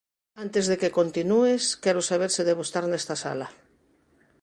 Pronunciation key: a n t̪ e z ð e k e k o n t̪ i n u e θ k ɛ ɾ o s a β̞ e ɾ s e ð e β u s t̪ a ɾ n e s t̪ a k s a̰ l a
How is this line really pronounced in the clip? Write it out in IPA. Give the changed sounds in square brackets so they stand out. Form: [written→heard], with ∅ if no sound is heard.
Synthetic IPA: a n t̪ e z ð e k e k o n t̪ i n u e [θ→s] k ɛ ɾ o s a β̞ e ɾ s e ð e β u s t̪ a ɾ n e s t̪ a [k→∅] s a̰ l a